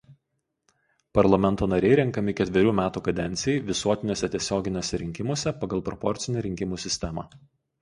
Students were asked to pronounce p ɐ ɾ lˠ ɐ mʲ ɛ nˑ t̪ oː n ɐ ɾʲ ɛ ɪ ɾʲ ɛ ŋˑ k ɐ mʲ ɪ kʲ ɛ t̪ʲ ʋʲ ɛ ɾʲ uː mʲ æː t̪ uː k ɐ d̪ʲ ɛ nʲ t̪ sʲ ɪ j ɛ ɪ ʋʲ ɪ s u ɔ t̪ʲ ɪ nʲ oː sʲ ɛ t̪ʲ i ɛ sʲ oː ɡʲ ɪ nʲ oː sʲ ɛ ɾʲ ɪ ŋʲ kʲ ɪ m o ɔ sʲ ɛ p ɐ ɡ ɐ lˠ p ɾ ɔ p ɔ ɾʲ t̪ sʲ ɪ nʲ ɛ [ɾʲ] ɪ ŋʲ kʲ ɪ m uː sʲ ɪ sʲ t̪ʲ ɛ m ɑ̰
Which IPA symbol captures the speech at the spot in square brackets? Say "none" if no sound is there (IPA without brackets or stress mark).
ɾʲ